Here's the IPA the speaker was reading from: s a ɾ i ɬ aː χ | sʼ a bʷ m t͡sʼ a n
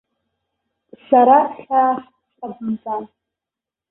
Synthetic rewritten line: s a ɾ a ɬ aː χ | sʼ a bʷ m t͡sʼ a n